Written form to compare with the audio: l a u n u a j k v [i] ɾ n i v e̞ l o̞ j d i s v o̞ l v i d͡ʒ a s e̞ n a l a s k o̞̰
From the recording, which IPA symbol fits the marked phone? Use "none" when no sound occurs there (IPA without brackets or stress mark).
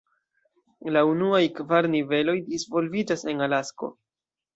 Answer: a